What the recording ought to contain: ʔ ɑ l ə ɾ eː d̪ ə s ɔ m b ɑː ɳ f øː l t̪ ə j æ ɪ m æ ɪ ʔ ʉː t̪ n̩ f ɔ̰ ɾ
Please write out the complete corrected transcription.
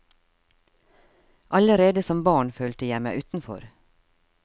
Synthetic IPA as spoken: ʔ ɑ l ə ɾ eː d̪ ə s ɔ m b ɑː ɳ f øː l t̪ ə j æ ɪ m æ ɪ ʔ ʉː t̪ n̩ f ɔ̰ ɾ